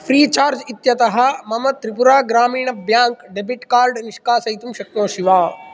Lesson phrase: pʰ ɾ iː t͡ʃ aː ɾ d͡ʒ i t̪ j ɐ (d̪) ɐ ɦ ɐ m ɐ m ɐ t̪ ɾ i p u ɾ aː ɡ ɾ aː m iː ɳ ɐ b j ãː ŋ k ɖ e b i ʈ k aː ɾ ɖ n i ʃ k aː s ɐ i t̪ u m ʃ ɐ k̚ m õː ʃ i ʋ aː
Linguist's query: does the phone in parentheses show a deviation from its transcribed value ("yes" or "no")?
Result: yes